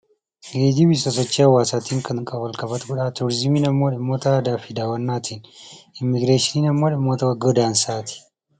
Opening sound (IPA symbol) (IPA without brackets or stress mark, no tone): ɡ